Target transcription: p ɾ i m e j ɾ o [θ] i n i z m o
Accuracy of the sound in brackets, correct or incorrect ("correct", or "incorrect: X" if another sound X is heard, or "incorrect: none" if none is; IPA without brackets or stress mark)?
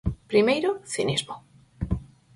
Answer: correct